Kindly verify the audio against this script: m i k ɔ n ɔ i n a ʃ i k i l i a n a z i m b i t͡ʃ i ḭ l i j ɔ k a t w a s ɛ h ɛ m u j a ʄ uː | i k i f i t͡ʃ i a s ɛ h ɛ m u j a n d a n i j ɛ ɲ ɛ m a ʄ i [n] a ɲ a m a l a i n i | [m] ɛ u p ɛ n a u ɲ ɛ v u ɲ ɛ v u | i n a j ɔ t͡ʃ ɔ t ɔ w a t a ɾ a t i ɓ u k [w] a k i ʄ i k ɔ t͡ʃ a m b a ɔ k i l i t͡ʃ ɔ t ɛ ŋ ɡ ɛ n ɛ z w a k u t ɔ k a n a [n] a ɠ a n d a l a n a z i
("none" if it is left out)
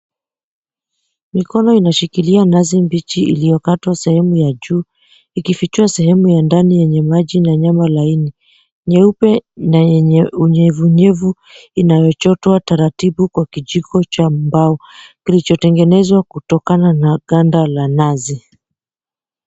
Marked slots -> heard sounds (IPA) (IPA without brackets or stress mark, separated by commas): n, ɲ, w, n